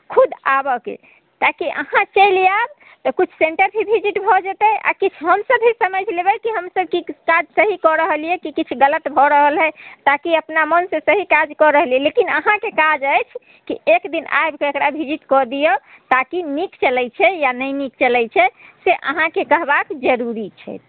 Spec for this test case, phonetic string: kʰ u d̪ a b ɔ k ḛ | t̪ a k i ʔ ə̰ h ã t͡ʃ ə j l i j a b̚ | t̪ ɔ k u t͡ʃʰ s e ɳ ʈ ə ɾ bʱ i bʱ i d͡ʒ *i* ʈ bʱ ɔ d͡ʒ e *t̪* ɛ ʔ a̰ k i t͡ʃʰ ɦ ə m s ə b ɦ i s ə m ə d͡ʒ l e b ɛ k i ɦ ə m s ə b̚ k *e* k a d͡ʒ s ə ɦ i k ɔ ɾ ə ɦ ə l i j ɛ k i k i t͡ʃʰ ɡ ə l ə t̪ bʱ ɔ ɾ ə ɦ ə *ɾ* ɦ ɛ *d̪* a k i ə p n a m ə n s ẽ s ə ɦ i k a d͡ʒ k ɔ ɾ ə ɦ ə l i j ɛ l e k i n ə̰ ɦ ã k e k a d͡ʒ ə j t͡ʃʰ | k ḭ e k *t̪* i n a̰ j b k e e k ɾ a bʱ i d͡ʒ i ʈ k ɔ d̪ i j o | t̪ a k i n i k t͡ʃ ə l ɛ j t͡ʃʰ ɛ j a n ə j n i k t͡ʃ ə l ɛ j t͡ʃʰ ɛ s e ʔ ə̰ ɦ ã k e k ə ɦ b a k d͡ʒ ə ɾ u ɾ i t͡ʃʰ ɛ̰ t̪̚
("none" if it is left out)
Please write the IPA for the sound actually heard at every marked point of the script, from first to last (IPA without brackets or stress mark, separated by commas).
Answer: i, t̪, i, l, t̪, d̪